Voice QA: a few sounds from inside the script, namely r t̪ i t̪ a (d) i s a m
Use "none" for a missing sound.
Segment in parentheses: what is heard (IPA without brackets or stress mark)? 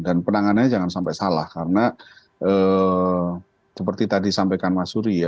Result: d